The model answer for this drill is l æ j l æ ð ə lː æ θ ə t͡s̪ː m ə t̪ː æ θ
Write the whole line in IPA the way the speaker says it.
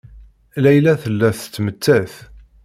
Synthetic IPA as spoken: l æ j l æ θ ə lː æ θ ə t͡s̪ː m ə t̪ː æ θ